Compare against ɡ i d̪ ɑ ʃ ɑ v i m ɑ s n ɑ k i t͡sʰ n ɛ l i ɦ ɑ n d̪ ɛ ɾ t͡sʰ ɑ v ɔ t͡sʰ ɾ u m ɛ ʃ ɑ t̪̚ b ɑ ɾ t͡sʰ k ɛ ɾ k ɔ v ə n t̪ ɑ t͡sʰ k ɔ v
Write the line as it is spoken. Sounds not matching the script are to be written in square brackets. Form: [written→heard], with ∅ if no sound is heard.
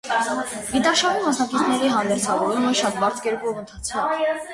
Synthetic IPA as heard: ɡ i [d̪→t̪] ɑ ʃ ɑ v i m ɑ s n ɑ k i t͡sʰ n ɛ [l→ɾ] i ɦ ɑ n d̪ ɛ ɾ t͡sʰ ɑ v ɔ [t͡sʰ→∅] ɾ u m ɛ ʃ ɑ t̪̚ b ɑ ɾ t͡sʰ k ɛ ɾ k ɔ v ə n [t̪→t̪ʰ] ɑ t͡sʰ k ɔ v